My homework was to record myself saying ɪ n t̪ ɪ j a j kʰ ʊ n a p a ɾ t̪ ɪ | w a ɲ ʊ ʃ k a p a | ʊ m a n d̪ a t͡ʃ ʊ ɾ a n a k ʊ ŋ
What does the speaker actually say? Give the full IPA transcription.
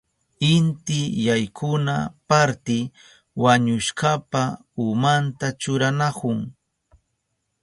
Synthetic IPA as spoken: ɪ n t̪ ɪ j a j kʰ ʊ n a p a ɾ t̪ ɪ | w a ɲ ʊ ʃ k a p a | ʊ m a n t̪ a t͡ʃ ʊ ɾ a n a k ʊ ŋ